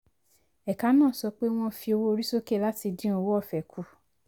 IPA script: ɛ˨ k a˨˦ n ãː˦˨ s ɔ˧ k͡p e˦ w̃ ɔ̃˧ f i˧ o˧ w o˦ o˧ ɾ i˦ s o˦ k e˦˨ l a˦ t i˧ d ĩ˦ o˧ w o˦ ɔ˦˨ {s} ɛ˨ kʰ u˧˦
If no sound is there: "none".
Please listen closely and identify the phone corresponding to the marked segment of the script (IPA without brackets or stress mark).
f